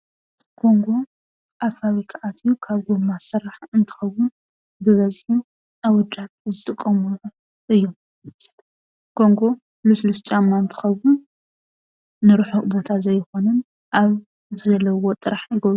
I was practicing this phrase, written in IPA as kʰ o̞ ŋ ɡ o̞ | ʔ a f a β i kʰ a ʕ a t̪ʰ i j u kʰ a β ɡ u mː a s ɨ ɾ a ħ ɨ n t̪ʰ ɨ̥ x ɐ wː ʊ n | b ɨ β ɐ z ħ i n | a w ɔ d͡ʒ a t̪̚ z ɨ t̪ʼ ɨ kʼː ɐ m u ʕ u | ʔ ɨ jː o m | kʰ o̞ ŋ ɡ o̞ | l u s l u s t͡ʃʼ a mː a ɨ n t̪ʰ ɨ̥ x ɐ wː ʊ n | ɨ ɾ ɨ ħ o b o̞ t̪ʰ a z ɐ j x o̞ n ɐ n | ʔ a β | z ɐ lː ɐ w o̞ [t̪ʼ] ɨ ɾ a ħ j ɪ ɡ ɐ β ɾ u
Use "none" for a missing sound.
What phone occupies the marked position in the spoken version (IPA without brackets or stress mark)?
t̪ʼ